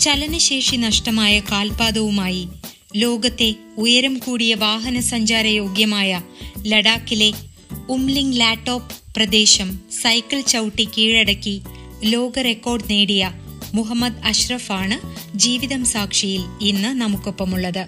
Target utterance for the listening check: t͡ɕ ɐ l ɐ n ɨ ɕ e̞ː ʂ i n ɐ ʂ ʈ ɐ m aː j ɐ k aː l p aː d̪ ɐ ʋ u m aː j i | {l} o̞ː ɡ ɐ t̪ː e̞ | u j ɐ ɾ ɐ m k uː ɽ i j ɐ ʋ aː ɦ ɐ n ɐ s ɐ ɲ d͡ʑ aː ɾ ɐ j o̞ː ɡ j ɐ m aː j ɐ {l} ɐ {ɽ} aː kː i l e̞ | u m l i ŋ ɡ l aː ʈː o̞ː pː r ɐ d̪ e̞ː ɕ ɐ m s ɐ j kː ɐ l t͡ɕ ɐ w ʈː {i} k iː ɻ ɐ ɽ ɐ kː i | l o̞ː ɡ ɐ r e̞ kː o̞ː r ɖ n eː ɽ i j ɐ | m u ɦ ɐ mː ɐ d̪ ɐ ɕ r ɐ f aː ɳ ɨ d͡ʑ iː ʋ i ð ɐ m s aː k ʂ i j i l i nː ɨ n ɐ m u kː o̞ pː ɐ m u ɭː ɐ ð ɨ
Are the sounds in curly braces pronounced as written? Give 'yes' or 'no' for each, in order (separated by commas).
yes, yes, yes, yes